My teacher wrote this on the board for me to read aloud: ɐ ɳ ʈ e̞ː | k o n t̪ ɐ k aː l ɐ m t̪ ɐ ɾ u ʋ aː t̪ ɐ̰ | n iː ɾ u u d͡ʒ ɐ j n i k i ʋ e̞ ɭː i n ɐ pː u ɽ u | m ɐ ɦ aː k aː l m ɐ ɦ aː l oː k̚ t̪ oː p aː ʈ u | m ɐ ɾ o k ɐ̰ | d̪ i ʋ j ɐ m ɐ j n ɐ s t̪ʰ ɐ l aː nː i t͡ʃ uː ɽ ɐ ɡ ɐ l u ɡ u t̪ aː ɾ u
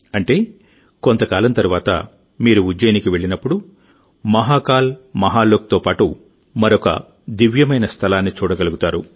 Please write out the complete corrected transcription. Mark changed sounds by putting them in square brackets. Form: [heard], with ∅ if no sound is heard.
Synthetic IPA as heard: ɐ ɳ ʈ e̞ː | k o n t̪ ɐ k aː l ɐ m t̪ ɐ ɾ u ʋ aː t̪ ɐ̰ | [m] iː ɾ u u d͡ʒ ɐ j n i k i ʋ e̞ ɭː i n ɐ pː u ɽ u | m ɐ ɦ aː k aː l m ɐ ɦ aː l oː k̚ t̪ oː p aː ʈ u | m ɐ ɾ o k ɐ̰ | d̪ i ʋ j ɐ m ɐ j n ɐ s t̪ʰ ɐ l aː nː i t͡ʃ uː ɽ ɐ ɡ ɐ l u ɡ u t̪ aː ɾ u